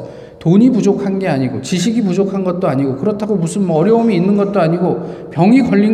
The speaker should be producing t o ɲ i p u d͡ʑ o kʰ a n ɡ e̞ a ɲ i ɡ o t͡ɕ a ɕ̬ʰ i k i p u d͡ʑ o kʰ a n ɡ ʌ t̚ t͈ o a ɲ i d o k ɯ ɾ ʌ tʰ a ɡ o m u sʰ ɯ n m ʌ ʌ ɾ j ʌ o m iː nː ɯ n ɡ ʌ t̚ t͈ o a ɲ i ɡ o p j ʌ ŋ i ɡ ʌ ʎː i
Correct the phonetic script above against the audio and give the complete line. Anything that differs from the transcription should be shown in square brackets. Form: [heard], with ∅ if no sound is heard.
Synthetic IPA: t o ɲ i p u d͡ʑ o kʰ a n ɡ e̞ a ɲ i ɡ o t͡ɕ [i] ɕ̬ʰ i [ɡ] i p u d͡ʑ o kʰ a n ɡ ʌ t̚ t͈ o a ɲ i [ɡ] o k ɯ ɾ ʌ tʰ a ɡ o m u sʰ ɯ n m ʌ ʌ ɾ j ʌ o m iː nː ɯ n ɡ ʌ t̚ t͈ o a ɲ i ɡ o p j ʌ ŋ i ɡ ʌ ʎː i